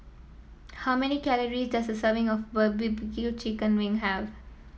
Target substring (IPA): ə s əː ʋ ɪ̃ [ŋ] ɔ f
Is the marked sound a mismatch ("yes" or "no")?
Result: no